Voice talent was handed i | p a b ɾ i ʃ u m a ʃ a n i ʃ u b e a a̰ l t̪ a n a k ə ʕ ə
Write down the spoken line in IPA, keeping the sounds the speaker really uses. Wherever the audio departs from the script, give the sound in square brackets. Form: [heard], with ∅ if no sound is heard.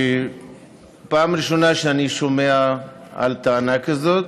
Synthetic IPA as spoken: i | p a [m] ɾ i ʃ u [n] a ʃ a n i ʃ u [m] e a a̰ l t̪ a n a k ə [z] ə